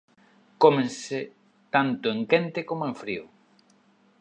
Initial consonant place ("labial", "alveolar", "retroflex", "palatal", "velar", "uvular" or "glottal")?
velar